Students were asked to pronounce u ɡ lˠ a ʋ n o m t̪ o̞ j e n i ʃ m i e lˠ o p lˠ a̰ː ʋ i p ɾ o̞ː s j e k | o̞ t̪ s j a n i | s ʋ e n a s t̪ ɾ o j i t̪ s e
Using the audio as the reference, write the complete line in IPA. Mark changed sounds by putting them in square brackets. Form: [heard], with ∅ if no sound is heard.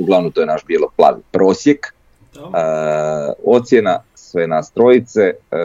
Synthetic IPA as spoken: u ɡ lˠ a ʋ n o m t̪ o̞ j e n [a] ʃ [b] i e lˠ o p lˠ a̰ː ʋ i p ɾ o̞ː s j e k | o̞ t̪ s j [e] n [a] | s ʋ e n a s t̪ ɾ o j i t̪ s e